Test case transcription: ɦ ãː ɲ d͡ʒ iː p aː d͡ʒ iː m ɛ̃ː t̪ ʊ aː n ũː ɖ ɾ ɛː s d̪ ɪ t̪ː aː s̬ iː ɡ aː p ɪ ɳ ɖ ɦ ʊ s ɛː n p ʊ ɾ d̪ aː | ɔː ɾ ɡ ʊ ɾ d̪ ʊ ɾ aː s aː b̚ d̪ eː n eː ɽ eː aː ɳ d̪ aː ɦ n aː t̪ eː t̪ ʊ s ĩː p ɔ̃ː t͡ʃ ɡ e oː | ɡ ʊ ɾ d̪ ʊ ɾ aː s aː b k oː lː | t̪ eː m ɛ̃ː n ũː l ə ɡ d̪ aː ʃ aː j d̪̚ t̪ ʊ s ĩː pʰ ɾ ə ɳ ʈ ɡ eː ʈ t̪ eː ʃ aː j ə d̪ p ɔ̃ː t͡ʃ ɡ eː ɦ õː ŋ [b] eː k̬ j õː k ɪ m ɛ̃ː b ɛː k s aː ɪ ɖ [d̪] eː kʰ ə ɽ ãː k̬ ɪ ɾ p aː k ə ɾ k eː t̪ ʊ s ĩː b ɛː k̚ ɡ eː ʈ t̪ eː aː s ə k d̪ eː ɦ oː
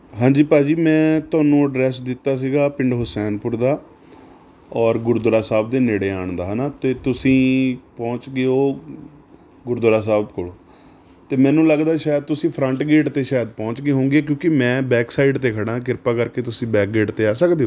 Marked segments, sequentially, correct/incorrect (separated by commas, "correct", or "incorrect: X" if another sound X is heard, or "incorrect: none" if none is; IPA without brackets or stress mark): incorrect: ɡ, incorrect: t̪